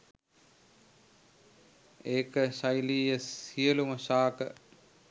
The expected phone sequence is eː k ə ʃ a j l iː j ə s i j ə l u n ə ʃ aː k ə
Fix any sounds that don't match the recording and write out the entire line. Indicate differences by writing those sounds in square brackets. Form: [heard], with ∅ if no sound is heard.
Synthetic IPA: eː k ə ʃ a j l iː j ə s i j ə l u [m] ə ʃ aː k ə